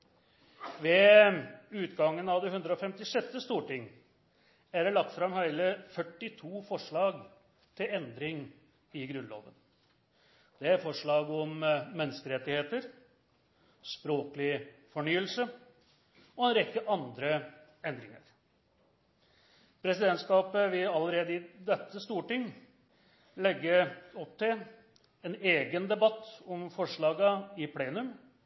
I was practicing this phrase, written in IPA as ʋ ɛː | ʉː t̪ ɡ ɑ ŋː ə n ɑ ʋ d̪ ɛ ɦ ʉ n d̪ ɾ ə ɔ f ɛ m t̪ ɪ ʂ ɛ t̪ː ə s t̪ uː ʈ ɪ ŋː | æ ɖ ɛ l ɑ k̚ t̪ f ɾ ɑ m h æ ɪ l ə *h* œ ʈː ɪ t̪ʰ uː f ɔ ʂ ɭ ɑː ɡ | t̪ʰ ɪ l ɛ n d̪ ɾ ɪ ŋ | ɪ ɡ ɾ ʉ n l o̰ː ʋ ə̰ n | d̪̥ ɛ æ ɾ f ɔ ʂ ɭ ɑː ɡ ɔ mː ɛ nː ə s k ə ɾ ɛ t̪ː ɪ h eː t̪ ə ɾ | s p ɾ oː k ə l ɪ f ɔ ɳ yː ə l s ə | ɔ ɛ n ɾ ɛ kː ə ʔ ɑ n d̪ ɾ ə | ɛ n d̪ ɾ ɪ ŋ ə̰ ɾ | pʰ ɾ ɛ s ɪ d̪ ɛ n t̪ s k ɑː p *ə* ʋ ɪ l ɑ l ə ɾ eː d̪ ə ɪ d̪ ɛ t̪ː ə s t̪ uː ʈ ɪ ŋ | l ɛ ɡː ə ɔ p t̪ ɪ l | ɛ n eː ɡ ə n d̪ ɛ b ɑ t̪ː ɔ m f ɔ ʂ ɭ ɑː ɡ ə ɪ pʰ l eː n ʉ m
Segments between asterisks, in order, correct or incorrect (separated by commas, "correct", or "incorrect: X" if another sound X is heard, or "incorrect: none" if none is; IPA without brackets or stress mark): incorrect: f, correct